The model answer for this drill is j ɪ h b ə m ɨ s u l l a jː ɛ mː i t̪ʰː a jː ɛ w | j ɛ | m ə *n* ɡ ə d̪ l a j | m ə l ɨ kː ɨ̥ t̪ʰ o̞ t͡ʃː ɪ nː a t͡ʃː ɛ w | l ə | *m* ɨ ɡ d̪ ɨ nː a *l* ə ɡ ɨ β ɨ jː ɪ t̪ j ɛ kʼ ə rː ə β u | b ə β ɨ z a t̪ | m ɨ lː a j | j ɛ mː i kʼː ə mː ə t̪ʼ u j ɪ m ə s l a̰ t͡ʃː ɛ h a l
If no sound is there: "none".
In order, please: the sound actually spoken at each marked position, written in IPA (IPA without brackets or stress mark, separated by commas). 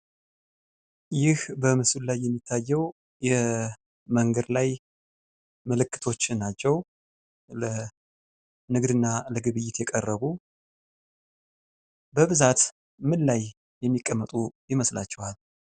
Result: ŋ, n, l